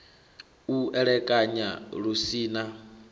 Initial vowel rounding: rounded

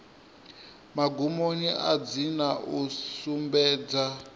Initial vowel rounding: unrounded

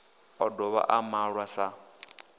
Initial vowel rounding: rounded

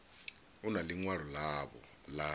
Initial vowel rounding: rounded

